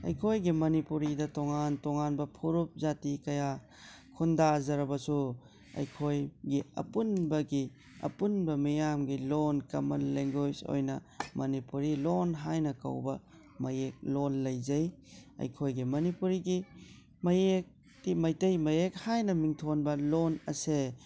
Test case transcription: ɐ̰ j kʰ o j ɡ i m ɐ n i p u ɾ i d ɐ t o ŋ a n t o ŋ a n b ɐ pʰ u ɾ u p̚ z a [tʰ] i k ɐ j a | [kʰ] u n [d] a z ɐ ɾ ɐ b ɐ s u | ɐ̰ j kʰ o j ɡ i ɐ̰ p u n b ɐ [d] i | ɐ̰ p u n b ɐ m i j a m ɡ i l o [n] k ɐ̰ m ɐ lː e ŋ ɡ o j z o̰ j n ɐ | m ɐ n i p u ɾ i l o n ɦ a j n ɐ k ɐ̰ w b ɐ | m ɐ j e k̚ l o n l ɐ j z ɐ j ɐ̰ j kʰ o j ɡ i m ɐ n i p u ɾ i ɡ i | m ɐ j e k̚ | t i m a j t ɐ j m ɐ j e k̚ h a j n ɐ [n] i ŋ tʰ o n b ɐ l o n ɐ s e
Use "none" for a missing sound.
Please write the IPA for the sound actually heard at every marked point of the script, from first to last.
t, kʰ, d, ɡ, n, m

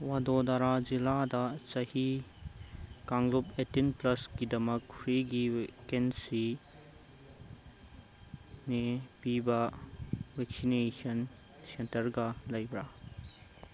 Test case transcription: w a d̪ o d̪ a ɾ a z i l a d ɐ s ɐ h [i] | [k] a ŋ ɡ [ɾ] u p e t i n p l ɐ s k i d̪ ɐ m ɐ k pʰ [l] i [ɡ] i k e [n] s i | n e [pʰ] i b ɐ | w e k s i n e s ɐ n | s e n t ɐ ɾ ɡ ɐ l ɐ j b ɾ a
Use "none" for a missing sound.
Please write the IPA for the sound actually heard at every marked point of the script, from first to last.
i, k, l, ɾ, ɡ, n, p

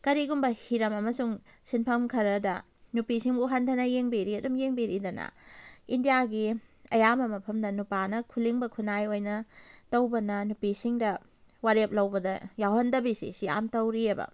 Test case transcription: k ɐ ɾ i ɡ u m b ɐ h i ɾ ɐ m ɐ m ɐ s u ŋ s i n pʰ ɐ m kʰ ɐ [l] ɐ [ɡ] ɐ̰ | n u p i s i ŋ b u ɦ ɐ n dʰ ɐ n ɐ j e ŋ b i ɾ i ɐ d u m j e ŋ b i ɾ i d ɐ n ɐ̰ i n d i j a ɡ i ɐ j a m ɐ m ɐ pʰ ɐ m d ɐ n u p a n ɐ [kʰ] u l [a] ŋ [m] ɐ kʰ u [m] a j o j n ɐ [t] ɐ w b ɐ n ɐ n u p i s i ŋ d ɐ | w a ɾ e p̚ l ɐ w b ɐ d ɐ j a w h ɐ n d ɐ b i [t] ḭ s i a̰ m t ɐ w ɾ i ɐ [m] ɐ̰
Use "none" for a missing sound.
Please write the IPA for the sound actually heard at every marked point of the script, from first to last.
ɾ, d, kʰ, i, b, n, t, s, b

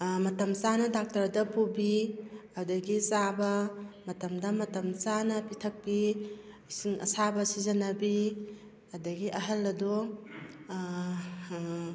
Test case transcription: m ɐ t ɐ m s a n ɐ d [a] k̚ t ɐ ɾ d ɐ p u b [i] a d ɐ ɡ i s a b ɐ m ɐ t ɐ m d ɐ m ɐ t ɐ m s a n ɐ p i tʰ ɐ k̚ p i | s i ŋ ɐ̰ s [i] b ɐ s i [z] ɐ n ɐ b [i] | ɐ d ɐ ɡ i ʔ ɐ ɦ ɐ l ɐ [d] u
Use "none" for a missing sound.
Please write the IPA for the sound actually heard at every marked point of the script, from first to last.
a, i, a, z, i, d

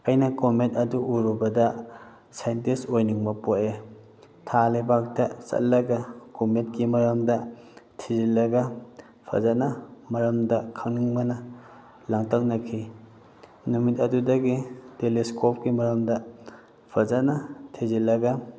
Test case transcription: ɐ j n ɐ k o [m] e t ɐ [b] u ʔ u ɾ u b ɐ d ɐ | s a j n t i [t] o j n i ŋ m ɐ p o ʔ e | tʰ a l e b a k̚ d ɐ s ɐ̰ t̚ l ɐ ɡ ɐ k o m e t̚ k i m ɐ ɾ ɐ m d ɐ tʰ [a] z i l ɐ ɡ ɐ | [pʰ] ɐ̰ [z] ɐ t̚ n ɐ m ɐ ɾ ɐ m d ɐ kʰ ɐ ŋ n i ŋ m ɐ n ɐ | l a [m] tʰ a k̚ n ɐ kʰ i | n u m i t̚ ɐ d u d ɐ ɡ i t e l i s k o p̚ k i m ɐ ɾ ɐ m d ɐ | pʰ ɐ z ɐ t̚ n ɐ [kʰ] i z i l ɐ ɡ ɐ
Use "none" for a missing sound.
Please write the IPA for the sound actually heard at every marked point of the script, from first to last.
m, d, s, i, pʰ, z, ŋ, tʰ

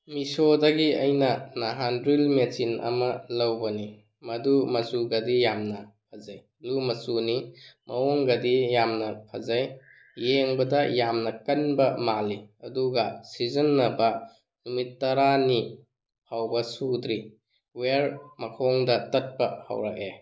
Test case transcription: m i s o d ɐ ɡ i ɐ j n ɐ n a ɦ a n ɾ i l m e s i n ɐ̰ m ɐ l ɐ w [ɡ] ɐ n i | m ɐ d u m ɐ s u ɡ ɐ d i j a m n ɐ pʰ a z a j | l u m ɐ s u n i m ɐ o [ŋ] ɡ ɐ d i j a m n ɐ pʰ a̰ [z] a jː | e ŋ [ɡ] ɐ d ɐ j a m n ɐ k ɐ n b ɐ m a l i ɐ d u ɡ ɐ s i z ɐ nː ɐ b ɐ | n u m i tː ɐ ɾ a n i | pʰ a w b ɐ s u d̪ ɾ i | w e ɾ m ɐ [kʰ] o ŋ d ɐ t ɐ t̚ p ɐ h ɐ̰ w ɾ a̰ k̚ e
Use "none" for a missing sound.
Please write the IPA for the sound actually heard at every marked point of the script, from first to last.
b, ŋ, z, b, kʰ

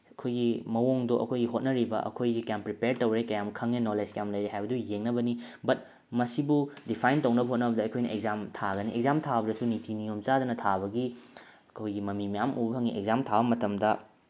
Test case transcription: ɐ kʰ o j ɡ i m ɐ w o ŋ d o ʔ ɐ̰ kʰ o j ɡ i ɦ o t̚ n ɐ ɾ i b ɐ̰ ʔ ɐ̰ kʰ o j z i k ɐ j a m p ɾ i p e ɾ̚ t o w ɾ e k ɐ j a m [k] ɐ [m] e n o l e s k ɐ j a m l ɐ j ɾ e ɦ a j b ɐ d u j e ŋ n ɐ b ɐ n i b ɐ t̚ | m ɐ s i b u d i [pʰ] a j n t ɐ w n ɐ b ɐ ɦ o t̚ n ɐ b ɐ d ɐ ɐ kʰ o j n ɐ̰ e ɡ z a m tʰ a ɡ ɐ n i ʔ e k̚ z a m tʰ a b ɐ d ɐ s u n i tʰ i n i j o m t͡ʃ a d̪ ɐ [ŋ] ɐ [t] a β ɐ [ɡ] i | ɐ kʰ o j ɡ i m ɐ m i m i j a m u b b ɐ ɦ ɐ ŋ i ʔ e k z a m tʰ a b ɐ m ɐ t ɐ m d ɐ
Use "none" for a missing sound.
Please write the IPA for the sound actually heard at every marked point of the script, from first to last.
kʰ, ŋ, pʰ, n, tʰ, ɡ

